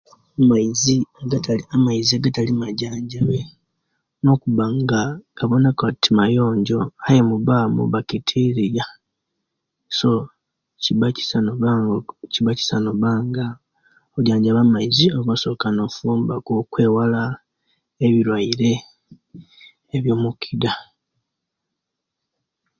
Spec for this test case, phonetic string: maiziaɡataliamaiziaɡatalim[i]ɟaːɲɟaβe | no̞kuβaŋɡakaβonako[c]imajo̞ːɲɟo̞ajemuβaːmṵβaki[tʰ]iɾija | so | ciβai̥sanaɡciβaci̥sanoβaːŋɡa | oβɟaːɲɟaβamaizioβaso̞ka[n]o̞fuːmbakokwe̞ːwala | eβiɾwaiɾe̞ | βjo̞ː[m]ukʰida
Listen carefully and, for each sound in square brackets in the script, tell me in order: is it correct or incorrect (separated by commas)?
incorrect, incorrect, correct, correct, correct